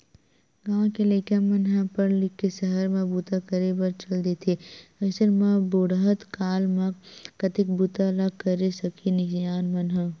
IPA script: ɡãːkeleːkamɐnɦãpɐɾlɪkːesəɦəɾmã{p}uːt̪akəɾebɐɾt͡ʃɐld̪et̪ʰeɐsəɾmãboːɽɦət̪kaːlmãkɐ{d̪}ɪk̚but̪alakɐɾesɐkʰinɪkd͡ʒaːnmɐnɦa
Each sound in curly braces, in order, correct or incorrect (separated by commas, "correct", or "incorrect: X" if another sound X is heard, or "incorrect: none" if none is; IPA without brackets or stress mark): incorrect: b, incorrect: t̪